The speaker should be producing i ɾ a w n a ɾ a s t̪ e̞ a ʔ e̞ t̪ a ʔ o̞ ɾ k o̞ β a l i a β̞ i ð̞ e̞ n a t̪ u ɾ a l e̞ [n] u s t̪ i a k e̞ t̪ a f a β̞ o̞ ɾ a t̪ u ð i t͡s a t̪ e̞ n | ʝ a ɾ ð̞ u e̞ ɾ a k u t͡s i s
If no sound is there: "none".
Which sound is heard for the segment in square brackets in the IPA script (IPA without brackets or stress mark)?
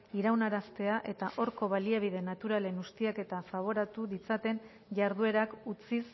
n